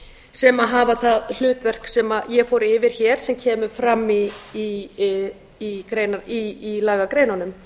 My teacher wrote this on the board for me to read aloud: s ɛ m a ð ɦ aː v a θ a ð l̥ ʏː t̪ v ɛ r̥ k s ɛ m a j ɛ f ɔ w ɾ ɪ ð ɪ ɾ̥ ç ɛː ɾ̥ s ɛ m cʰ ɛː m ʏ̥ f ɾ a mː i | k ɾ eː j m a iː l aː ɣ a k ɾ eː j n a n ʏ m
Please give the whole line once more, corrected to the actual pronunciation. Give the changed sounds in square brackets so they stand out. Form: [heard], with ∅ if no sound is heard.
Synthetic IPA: s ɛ m a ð ɦ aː v a θ a ð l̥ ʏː t̪ v ɛ r̥ k s ɛ m a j ɛ f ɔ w ɾ ɪ [v] ɪ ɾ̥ ç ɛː ɾ̥ s ɛ m cʰ ɛː m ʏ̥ f ɾ a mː i | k ɾ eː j [n] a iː l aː ɣ a k ɾ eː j n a n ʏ m